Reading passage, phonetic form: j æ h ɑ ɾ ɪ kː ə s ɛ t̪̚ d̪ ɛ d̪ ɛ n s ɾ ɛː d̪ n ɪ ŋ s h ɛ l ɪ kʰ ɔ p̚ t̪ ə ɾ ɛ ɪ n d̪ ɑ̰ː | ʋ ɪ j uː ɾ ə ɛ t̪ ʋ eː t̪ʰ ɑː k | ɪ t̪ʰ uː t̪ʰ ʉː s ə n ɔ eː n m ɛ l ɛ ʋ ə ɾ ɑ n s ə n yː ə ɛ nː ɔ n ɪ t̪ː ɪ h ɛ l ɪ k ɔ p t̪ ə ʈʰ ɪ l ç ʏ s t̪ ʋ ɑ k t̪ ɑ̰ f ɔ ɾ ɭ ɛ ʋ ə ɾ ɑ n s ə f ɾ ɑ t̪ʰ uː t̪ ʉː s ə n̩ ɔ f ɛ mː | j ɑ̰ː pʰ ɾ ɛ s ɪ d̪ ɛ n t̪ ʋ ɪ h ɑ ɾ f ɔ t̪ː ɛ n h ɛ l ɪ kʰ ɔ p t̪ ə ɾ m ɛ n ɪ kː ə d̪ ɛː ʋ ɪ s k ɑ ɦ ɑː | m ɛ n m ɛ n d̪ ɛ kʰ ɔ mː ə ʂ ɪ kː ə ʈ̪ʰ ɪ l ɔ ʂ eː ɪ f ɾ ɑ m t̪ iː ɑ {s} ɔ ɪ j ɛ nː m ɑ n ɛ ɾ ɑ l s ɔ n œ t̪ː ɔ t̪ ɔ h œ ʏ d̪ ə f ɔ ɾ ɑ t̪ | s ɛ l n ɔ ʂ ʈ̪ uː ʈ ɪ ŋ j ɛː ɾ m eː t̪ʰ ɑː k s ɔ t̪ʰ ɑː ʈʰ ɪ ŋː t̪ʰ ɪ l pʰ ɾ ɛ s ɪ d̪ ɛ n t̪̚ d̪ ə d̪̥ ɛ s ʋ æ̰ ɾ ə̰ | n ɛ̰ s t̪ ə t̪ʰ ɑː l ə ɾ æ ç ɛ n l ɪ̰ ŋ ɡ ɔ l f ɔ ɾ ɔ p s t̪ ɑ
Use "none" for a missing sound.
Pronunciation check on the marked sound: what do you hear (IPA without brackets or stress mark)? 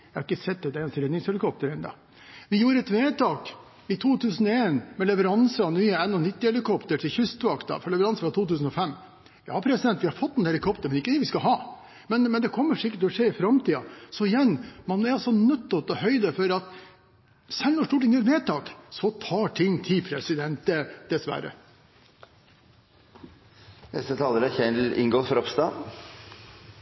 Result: s